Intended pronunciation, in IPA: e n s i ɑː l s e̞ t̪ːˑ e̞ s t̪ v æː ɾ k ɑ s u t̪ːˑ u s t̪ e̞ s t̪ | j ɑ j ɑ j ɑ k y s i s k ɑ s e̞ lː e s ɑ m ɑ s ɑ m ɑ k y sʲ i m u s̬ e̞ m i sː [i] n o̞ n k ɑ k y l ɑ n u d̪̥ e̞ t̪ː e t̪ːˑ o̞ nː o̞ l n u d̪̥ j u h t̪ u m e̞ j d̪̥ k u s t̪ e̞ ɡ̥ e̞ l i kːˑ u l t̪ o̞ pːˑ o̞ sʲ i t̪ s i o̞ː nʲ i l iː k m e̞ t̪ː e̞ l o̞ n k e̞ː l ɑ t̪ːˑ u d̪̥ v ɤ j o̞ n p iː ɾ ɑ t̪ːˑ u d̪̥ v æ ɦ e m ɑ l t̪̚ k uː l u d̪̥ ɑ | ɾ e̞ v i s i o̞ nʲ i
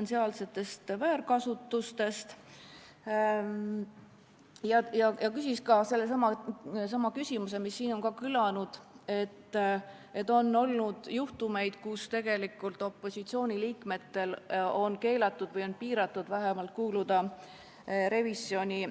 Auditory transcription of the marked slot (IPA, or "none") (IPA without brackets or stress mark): iː